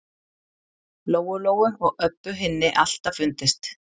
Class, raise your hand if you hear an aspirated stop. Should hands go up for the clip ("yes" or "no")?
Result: no